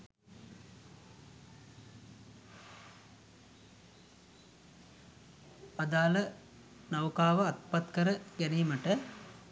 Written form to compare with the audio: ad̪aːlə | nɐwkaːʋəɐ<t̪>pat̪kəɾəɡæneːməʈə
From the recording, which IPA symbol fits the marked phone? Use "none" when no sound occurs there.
t̪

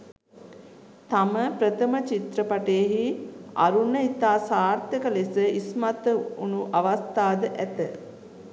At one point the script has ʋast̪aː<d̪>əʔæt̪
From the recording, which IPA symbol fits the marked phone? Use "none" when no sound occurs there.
d̪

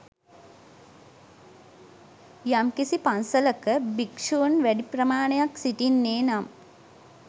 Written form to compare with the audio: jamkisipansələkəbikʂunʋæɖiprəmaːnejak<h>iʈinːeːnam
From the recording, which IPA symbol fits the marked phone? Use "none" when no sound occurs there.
s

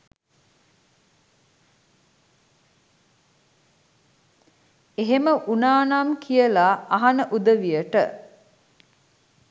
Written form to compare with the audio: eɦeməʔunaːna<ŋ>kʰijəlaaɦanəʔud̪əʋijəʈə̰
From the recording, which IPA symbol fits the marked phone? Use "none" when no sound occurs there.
m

